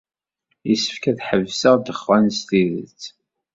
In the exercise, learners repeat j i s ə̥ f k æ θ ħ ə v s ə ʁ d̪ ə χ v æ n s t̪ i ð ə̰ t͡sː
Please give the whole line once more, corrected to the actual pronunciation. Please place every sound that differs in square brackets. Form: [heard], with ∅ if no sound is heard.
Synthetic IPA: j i s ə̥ f k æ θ ħ ə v s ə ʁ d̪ ə χ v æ n s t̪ i ð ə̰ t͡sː